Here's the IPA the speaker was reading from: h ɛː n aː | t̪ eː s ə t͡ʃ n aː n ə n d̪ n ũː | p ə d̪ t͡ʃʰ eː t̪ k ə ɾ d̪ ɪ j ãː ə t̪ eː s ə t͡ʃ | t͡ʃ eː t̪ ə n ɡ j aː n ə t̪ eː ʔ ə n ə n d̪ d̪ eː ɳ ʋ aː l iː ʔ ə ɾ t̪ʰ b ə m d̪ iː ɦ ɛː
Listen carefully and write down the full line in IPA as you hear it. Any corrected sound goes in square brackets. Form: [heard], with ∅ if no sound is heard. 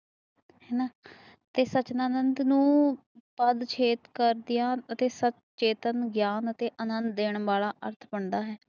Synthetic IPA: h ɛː n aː | t̪ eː s ə t͡ʃ n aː n ə n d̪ n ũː | p ə d̪ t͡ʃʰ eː t̪ k ə ɾ d̪ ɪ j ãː ə t̪ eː s ə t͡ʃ | t͡ʃ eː t̪ ə n ɡ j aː n ə t̪ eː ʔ ə n ə n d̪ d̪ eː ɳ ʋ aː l [aː] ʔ ə ɾ t̪ʰ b ə [ɳ] d̪ [aː] ɦ ɛː